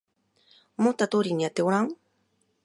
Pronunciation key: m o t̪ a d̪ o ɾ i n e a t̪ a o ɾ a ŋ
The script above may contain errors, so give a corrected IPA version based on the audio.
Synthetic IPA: m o t̪ a t̪ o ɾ i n i a t̪ e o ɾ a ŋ